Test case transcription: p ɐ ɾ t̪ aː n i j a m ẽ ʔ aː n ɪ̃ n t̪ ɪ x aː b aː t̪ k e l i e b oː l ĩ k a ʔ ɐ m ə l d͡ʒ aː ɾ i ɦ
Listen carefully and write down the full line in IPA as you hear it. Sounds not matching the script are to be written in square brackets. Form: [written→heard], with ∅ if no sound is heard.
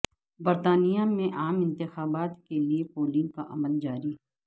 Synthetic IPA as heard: [p→b] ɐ ɾ t̪ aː n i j a m ẽ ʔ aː [n→m] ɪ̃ n t̪ ɪ x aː b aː t̪ k e l i e [b→p] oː l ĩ k a ʔ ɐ m ə l d͡ʒ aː ɾ i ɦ